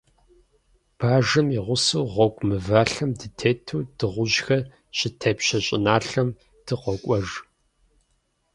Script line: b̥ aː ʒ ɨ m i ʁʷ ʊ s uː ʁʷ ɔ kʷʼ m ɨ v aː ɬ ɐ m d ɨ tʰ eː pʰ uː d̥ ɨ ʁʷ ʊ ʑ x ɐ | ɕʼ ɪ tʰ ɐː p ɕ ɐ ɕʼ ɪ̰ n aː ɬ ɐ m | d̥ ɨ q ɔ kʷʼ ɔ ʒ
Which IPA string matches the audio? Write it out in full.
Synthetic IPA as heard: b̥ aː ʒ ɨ m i ʁʷ ʊ s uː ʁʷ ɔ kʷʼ m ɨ v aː ɬ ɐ m d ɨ tʰ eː tʰ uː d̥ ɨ ʁʷ ʊ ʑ x ɐ | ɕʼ ɪ tʰ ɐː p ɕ ɐ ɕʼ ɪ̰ n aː ɬ ɐ m | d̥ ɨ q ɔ kʷʼ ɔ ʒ